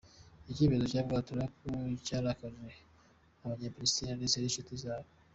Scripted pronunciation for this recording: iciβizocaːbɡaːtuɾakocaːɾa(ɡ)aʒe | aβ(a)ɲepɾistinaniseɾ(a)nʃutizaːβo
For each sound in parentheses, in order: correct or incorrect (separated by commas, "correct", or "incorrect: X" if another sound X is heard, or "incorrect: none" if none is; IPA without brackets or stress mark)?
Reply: incorrect: k, correct, incorrect: i